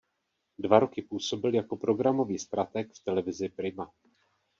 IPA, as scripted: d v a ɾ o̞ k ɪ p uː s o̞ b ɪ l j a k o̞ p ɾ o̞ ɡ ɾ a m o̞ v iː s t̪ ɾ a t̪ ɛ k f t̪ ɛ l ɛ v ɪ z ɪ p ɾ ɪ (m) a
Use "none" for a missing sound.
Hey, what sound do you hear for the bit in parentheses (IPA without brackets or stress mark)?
m